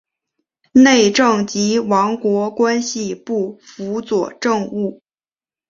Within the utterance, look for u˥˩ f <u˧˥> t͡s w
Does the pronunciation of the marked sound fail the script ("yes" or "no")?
no